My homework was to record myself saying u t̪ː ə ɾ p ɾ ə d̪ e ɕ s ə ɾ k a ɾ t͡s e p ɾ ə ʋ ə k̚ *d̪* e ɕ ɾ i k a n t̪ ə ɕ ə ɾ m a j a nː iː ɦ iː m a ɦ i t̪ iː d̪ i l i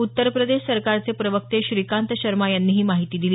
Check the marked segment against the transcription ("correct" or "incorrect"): incorrect